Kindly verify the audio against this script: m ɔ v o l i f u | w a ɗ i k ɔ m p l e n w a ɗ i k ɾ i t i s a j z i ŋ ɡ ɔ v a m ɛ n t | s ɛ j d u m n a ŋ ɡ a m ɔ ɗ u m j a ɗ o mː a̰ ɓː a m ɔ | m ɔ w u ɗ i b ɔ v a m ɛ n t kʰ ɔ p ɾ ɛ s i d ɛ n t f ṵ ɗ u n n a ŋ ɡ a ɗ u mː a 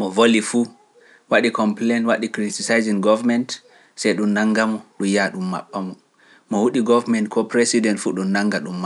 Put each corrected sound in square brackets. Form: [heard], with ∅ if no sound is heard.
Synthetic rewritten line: m ɔ v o l i f u | w a ɗ i k ɔ m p l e n w a ɗ i k ɾ i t i s a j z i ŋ ɡ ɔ v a m ɛ n t | s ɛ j [ɗ] u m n a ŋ ɡ a m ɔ ɗ u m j a ɗ [u] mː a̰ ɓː a m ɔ | m ɔ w u ɗ i [ɡ] ɔ v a m ɛ n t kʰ ɔ p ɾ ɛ s i d ɛ n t f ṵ ɗ u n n a ŋ ɡ a ɗ u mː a